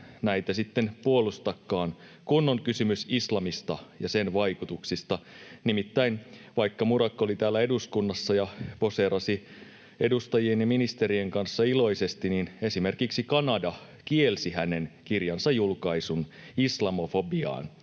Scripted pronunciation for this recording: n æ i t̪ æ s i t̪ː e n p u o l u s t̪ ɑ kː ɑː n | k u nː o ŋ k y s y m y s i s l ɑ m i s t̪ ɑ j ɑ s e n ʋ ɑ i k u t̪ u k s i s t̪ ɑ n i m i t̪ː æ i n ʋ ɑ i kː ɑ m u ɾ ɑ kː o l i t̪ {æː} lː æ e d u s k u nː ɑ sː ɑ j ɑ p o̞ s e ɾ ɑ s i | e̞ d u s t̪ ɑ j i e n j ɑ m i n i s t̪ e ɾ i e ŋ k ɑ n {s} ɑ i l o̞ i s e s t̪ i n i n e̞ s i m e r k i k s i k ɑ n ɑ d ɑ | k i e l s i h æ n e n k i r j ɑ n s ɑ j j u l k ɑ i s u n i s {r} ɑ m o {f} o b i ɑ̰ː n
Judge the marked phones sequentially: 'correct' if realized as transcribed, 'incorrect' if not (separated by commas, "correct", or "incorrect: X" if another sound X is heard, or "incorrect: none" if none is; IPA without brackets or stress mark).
correct, incorrect: sː, incorrect: l, correct